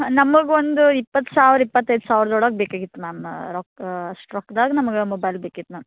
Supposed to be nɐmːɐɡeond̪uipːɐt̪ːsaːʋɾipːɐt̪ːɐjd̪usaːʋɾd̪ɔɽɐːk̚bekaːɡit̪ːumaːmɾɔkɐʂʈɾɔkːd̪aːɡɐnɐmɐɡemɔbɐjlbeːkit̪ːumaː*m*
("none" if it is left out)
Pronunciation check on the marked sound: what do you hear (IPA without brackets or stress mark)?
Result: m